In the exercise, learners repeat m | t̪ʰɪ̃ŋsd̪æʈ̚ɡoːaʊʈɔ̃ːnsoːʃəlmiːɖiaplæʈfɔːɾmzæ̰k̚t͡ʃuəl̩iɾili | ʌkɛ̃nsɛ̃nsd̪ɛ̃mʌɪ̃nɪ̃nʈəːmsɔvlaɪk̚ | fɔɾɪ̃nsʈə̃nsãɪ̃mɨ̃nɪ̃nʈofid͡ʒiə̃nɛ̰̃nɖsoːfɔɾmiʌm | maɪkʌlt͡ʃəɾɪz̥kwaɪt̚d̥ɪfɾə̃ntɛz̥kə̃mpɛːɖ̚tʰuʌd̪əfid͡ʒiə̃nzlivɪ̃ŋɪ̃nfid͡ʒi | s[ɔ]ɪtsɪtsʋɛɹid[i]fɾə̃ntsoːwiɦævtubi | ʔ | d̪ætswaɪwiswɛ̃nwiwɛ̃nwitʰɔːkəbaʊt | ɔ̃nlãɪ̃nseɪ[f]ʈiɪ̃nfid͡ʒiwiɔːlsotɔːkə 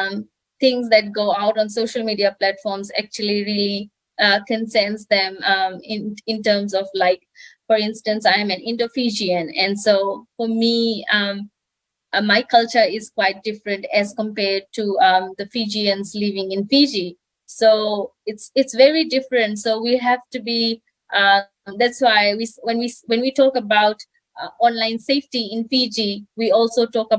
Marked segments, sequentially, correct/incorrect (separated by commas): incorrect, incorrect, correct